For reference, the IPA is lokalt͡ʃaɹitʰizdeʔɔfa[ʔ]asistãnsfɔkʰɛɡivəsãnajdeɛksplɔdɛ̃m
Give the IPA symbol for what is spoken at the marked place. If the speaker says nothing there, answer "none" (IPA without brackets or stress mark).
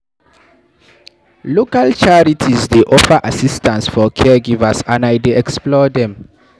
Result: ʔ